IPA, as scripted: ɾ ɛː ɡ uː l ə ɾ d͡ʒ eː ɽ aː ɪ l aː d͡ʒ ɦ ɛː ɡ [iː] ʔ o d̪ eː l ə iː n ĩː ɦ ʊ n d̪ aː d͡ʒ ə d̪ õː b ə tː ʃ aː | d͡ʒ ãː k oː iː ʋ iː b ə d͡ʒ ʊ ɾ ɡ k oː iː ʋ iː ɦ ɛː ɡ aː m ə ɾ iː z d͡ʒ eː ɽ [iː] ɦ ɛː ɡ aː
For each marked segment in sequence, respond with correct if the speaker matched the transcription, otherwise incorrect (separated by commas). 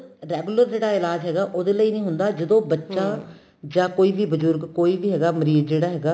incorrect, incorrect